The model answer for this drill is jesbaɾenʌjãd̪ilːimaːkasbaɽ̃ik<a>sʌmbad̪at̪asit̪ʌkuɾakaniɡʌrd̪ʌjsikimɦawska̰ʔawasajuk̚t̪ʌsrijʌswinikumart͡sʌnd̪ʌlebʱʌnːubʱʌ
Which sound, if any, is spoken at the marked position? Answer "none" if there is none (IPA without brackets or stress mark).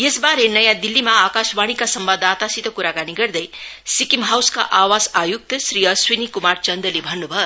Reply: a